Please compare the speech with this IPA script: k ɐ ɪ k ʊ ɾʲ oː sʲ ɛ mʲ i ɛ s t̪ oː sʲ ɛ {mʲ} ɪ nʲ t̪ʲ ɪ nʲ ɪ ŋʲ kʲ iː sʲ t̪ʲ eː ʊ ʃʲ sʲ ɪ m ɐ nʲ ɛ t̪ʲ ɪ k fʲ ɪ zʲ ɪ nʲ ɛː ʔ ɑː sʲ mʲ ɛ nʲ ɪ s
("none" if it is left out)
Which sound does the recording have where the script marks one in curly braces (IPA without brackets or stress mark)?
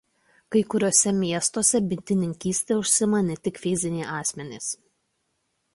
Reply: bʲ